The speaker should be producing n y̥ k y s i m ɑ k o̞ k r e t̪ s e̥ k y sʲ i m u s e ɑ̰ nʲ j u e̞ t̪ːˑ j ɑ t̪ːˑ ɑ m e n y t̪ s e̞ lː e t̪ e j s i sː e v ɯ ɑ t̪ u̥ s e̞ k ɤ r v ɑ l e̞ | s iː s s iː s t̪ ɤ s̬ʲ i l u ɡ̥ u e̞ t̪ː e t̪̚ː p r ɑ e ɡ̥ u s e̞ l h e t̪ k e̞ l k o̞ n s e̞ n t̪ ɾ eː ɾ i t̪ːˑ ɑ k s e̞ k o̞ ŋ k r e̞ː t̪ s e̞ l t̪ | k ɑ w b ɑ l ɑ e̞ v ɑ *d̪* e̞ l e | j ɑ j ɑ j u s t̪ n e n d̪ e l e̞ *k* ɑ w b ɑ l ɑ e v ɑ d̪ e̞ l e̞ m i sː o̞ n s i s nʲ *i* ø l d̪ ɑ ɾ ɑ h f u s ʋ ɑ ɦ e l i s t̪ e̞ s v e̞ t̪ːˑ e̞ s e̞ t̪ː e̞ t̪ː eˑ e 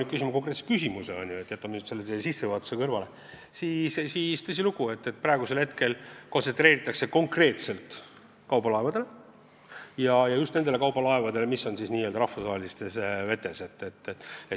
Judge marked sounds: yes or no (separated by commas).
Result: yes, yes, no